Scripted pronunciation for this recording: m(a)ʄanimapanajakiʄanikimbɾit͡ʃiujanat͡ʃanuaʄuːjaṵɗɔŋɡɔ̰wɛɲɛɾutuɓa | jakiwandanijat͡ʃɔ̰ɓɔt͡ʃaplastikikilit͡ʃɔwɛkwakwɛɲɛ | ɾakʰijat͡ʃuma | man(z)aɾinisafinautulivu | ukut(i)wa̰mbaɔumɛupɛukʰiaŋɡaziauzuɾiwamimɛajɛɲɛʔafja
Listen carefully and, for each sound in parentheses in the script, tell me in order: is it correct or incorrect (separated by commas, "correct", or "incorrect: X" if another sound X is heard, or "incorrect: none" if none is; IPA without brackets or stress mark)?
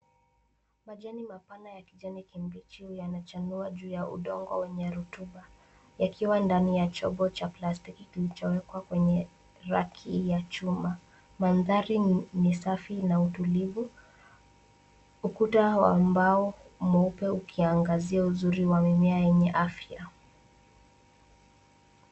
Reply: correct, incorrect: ð, incorrect: a